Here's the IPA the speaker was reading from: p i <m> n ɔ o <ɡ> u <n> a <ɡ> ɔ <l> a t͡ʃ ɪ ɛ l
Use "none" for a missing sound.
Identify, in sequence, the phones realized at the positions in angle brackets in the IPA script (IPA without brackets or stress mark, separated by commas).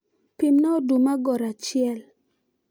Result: m, d, m, ɡ, ɾ